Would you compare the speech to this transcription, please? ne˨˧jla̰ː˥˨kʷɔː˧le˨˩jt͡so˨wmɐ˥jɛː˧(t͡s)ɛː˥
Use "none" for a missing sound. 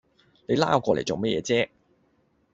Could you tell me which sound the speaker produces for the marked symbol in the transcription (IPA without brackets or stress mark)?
t͡s